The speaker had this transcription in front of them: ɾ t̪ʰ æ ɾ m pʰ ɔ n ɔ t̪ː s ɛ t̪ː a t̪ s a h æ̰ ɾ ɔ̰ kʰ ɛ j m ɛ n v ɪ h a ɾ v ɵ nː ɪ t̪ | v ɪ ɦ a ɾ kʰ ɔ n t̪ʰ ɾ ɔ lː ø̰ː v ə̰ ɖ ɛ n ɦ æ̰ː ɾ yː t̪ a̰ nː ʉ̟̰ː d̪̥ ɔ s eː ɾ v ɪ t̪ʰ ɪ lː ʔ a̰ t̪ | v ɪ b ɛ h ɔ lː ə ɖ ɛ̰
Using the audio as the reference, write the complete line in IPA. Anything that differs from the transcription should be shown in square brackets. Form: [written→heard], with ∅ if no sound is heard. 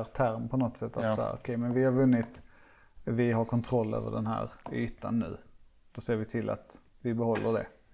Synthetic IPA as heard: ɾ t̪ʰ æ ɾ m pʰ ɔ n ɔ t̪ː s ɛ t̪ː a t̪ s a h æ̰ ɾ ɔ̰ kʰ ɛ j m ɛ n v ɪ h a ɾ v ɵ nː ɪ t̪ | v ɪ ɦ a ɾ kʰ ɔ n t̪ʰ ɾ ɔ lː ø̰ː v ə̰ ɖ ɛ n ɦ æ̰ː ɾ yː t̪ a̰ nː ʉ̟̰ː d̪̥ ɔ s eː ɾ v ɪ t̪ʰ ɪ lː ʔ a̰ t̪ | v ɪ b ɛ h ɔ lː ə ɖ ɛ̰